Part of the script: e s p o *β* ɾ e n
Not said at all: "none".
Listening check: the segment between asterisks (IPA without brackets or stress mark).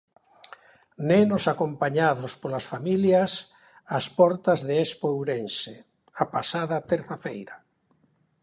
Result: w